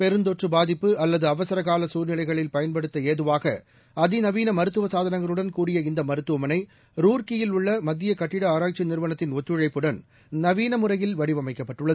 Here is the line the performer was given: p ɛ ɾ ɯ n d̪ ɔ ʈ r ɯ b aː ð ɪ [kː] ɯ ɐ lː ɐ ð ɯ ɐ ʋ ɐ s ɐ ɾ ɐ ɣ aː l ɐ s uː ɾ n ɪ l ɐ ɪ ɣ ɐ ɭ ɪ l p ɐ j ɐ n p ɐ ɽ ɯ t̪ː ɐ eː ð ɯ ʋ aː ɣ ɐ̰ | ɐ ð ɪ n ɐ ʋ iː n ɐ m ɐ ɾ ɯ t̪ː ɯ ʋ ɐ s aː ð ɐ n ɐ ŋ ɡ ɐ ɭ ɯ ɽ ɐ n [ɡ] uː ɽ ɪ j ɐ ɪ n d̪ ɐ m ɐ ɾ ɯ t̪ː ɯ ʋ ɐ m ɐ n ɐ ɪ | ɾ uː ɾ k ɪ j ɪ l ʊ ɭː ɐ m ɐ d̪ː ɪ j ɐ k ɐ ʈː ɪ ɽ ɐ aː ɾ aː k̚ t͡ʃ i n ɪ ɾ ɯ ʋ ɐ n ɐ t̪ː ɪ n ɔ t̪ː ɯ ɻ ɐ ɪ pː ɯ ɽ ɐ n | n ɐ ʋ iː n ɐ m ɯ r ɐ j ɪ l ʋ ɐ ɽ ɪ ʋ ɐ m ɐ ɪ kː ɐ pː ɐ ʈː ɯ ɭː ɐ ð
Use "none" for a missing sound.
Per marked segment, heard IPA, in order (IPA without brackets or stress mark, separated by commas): pː, k